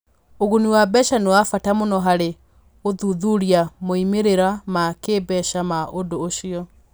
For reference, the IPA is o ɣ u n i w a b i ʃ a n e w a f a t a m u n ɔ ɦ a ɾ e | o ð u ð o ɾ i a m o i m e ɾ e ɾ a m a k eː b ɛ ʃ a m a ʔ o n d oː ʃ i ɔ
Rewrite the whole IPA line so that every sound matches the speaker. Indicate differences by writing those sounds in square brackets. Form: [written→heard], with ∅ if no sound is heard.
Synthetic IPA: o ɣ u n i w a b [i→ɛ] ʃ a n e w a f a t a m [u→o] n ɔ ɦ a ɾ e | o ð u ð [o→u] ɾ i a m o i m e ɾ e ɾ a m a k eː b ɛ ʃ a m a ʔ o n d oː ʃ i ɔ